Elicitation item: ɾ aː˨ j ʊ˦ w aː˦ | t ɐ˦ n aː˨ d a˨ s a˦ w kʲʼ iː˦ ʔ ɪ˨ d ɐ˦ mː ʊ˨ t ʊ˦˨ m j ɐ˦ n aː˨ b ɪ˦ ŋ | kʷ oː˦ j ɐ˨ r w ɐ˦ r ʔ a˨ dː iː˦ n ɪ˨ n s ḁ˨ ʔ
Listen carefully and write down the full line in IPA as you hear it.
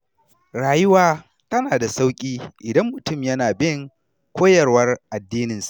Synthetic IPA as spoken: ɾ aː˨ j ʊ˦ w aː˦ | t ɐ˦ n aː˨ d a˨ s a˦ w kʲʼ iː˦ ʔ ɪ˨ d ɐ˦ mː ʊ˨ t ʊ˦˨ m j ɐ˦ n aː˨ b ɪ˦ ŋ | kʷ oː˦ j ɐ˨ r w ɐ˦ r ʔ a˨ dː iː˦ n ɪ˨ n s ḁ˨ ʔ